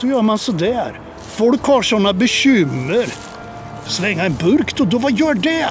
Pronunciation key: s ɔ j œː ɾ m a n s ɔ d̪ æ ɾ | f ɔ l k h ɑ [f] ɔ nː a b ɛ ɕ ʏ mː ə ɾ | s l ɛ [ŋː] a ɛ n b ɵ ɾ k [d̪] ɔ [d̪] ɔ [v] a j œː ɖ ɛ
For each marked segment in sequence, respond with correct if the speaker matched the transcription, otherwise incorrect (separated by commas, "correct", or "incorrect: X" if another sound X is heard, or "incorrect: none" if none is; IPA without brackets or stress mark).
incorrect: ʂ, correct, incorrect: t̪, correct, correct